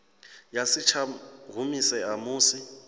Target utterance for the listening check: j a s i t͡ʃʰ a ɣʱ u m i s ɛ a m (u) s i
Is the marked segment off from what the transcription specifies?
yes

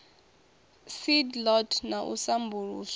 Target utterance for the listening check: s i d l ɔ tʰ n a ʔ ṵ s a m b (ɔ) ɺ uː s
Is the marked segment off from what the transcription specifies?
yes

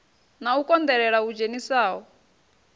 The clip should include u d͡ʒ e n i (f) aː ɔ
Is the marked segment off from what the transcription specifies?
yes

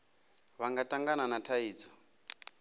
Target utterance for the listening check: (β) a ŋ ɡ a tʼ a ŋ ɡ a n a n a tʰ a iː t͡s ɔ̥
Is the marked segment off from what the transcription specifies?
no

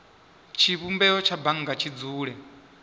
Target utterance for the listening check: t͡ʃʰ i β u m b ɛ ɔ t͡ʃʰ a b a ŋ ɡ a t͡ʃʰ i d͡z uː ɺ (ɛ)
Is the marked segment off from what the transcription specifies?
no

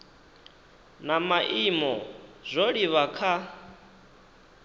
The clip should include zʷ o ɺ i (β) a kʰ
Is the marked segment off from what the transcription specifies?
no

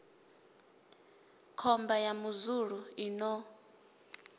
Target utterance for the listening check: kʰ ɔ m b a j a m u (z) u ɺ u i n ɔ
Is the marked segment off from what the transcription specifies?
no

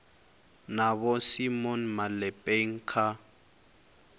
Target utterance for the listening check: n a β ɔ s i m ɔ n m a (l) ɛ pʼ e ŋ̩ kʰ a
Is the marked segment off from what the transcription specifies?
no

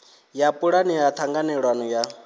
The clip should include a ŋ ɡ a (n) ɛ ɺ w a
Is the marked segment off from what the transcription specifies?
no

